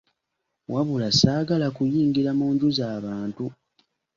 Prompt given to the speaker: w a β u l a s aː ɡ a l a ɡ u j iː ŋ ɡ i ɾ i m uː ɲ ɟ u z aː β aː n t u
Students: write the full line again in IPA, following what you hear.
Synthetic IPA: w a β u l a s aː ɡ a l a k u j iː ŋ ɡ i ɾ a m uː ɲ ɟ u z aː β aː n t u